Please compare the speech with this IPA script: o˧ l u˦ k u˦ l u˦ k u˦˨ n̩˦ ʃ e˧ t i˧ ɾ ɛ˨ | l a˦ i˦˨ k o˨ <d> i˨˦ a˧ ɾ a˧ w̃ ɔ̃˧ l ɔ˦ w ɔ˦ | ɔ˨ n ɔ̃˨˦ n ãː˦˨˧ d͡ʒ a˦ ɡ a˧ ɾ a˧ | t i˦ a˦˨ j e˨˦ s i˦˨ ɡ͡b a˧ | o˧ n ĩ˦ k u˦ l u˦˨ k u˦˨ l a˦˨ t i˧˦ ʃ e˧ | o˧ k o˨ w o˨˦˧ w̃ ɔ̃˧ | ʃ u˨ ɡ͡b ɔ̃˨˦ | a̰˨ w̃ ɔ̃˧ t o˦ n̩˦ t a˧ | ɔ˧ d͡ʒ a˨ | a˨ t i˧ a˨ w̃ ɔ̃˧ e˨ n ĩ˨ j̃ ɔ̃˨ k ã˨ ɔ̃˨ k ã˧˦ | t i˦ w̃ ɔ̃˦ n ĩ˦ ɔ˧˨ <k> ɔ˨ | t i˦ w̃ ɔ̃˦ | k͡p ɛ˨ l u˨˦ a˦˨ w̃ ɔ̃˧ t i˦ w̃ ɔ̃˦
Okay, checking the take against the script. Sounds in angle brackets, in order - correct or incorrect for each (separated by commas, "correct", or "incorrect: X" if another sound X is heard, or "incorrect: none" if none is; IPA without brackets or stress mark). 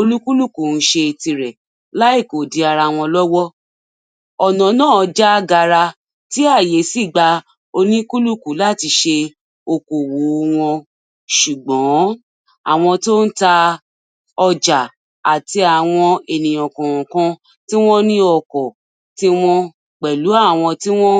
correct, correct